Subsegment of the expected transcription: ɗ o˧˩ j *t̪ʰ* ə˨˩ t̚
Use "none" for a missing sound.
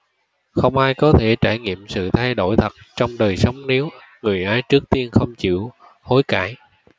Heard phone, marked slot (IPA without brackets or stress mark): t̪ʰ